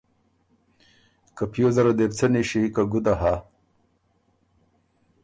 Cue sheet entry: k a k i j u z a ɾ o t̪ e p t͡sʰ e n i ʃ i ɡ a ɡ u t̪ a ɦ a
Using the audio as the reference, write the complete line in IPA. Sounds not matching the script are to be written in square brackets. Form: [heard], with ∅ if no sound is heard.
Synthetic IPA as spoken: k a [p] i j [o] z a ɾ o [d̪] e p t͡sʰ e n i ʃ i [k] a ɡ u [d̪] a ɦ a

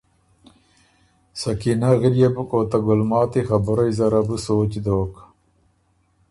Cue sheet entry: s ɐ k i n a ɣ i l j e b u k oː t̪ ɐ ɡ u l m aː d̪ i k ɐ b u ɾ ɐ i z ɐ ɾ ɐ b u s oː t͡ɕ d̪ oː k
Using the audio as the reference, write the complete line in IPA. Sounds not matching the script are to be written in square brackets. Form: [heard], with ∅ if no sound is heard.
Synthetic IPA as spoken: s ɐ k i n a ɣ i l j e b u k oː t̪ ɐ ɡ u l m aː [t̪] i [x] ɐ b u ɾ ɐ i z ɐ ɾ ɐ b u s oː t͡ɕ d̪ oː k

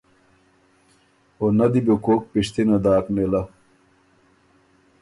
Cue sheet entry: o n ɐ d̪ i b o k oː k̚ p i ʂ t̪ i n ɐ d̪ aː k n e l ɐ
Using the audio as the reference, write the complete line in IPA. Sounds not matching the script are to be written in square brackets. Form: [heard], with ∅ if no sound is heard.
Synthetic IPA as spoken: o n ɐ d̪ i b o k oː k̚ p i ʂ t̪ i n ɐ d̪ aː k n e l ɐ

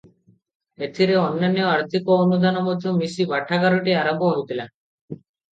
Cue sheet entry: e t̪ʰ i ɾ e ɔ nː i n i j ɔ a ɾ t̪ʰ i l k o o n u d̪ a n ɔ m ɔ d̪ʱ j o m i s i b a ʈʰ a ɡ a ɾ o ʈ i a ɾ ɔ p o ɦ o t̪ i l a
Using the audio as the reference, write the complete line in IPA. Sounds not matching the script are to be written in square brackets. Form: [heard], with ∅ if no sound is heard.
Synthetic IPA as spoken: e t̪ʰ i ɾ e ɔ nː [a] n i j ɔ a ɾ t̪ʰ i [∅] k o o n u d̪ a n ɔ m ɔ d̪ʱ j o m i s i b a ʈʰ a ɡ a ɾ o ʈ i a ɾ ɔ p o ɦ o t̪ i l a

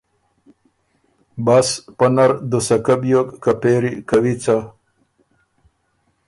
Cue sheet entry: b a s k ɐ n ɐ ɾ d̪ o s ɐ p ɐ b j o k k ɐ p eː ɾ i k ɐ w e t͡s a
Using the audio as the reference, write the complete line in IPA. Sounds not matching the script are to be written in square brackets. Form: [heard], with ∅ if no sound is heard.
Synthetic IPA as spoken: b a s [p] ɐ n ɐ ɾ d̪ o s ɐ [k] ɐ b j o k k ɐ p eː ɾ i k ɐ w [i] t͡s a

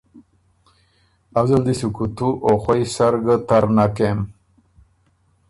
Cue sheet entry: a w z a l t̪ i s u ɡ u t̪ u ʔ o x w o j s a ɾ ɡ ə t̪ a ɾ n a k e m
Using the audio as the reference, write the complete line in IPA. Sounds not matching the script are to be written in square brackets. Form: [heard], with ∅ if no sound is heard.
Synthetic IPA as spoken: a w z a l [d̪] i s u [k] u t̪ u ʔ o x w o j s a ɾ ɡ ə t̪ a ɾ n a k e m

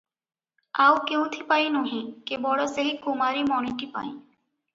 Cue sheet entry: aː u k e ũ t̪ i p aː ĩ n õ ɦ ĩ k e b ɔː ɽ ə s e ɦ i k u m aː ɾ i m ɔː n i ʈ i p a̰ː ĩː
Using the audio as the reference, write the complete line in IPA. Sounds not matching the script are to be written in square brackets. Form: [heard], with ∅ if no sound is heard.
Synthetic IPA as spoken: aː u k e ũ [t̪ʰ] i p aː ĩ n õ ɦ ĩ k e b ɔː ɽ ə s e ɦ i k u m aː ɾ i m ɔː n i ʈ i p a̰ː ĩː

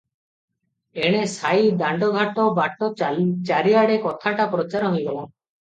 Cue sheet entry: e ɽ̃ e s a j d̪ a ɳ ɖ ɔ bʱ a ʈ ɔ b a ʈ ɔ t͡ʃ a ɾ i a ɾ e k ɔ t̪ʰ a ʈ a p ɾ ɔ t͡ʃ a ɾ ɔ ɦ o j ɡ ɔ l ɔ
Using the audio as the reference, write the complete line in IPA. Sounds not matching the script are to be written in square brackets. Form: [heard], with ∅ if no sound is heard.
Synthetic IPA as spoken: e ɽ̃ e s a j d̪ a ɳ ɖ ɔ [ɡʱ] a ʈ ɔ b a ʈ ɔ t͡ʃ a ɾ i a [ɽ] e k ɔ t̪ʰ a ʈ a p ɾ ɔ t͡ʃ a ɾ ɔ ɦ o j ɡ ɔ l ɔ

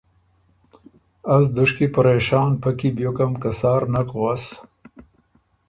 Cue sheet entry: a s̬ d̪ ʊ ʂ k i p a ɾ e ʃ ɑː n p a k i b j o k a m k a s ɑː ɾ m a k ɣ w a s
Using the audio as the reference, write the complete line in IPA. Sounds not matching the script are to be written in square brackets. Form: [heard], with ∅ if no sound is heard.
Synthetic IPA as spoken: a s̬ d̪ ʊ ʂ k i p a ɾ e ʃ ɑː n p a k i b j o k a m k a s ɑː ɾ [n] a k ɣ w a s

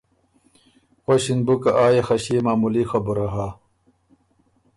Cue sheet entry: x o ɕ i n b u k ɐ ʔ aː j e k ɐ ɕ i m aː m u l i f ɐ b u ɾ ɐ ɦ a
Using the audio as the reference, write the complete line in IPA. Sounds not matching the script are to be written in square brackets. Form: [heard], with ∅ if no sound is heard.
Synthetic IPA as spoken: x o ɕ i n b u k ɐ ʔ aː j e [x] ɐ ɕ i m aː m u l i [x] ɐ b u ɾ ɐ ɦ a

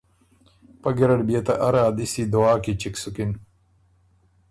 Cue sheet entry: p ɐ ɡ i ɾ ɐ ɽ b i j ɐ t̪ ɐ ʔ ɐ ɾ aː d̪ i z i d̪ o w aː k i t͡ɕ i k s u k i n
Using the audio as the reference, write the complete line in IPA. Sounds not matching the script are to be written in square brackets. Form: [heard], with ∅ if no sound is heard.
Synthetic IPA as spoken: p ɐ ɡ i ɾ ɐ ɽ b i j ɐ t̪ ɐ ʔ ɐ ɾ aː d̪ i [s] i d̪ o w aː k i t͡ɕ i k s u k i n

